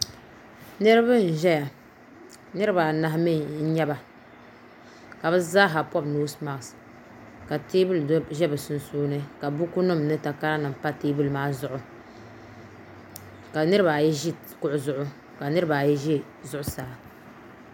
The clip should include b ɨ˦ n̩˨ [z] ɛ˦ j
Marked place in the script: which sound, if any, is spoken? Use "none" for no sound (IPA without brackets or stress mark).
ʒ